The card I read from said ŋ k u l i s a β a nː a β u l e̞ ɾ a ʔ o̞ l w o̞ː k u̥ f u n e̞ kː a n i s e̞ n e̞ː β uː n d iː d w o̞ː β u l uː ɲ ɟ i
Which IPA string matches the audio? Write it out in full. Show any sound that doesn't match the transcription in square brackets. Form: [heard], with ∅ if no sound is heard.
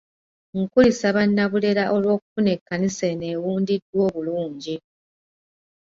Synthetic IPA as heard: ŋ k u l i s a β a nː a β u l e̞ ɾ a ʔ o̞ l w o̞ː k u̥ f u n e̞ kː a n i s e̞ n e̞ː [w] uː n d [i] d w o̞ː β u l uː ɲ ɟ i